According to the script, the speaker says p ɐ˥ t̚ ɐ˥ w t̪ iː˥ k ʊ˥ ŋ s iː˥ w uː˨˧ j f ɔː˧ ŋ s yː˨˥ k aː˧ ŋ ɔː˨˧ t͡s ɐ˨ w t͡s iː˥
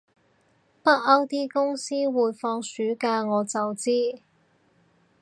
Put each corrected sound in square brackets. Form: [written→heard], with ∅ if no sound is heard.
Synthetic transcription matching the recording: p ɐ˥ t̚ ɐ˥ w t̪ iː˥ k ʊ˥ ŋ s iː˥ w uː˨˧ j f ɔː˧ ŋ s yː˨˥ k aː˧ ŋ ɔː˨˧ t͡s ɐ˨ w t͡s iː˥